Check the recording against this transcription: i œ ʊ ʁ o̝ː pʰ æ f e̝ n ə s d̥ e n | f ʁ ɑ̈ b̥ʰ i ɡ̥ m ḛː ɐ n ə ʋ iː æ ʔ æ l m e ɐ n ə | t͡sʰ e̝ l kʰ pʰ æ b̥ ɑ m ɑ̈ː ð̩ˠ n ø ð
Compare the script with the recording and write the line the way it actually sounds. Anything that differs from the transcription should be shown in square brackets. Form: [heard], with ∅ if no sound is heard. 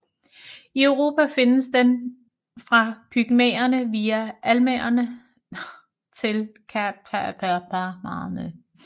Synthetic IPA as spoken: i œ ʊ ʁ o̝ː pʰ æ f e̝ n ə s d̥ e n | f ʁ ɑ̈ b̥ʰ [y] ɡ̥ m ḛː ɐ n ə ʋ iː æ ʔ æ l m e ɐ n ə | t͡sʰ e̝ l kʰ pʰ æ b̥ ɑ m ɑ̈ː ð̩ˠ n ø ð